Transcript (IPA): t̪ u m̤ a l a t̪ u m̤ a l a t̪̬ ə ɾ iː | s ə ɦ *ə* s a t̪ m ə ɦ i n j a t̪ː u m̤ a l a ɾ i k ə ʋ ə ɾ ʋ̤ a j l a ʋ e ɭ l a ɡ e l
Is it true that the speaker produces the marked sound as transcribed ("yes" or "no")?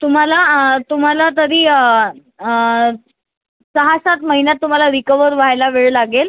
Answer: no